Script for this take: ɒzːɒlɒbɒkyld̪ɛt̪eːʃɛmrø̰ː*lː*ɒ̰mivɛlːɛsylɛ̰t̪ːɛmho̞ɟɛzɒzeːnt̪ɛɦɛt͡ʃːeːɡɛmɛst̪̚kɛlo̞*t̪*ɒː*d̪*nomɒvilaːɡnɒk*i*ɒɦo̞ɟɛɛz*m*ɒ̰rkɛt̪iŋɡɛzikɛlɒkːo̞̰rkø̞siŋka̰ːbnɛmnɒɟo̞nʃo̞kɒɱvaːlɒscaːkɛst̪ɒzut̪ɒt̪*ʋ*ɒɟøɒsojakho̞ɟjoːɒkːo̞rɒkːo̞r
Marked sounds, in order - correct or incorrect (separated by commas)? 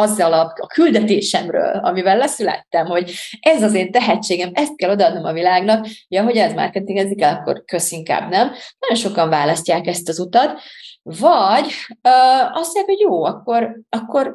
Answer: incorrect, incorrect, correct, incorrect, correct, incorrect